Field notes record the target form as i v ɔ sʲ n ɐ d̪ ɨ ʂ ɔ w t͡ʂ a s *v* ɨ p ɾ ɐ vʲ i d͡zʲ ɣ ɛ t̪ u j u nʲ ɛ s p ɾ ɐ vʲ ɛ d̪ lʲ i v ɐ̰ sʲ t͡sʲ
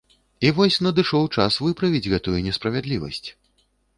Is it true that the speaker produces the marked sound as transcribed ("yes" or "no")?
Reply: yes